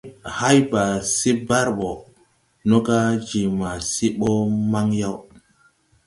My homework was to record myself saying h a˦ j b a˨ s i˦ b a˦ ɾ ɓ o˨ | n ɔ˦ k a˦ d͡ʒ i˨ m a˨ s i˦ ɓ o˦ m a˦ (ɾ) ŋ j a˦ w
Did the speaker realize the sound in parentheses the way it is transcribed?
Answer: no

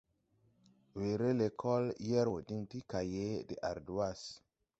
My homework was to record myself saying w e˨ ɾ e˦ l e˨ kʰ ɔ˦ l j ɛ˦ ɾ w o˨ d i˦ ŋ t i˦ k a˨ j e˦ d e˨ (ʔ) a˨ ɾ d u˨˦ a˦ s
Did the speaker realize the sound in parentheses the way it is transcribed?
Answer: yes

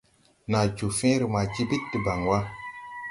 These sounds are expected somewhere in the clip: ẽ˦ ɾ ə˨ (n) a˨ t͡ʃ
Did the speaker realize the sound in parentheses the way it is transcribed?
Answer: no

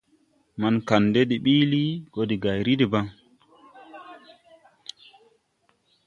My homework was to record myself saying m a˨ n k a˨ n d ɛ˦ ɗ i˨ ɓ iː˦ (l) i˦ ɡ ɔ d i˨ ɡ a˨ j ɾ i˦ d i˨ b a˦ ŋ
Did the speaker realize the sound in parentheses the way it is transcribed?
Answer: yes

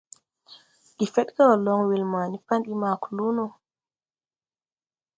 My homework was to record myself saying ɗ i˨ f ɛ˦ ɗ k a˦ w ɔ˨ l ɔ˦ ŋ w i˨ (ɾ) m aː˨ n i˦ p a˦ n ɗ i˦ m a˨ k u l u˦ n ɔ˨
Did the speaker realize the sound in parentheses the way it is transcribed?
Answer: no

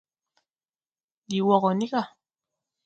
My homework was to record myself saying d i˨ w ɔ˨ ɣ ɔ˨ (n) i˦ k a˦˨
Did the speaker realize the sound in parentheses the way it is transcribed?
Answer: yes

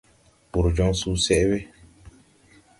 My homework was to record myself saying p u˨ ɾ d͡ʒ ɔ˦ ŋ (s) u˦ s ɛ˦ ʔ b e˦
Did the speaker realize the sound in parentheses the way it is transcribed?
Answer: yes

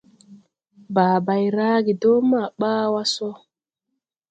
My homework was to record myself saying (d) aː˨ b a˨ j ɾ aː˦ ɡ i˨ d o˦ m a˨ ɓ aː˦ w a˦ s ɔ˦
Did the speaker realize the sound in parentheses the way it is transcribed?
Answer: no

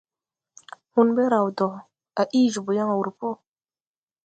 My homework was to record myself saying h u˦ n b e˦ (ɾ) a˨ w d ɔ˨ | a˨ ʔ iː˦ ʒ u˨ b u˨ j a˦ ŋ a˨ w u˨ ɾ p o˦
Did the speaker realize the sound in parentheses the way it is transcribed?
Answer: yes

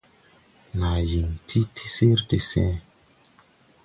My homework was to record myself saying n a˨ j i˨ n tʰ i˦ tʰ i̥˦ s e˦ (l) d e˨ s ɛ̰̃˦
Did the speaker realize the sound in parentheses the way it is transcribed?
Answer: no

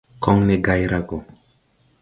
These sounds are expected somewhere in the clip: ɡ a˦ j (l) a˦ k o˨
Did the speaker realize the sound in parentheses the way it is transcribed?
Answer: no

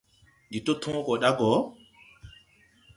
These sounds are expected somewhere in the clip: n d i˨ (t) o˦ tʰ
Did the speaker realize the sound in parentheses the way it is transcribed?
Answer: yes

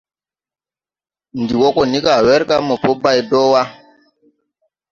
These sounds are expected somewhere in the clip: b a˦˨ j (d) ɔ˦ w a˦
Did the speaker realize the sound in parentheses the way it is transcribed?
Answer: yes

